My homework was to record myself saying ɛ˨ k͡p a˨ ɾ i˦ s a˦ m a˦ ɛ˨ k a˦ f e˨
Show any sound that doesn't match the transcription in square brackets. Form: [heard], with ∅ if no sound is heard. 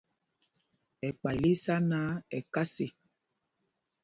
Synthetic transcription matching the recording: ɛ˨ k͡p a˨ [l] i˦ s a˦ [n] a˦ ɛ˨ k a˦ [s] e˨